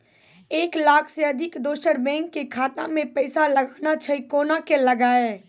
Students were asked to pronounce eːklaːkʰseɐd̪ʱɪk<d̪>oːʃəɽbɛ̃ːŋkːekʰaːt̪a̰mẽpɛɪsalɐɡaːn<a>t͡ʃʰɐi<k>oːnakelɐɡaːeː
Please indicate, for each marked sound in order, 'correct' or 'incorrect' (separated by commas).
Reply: correct, correct, correct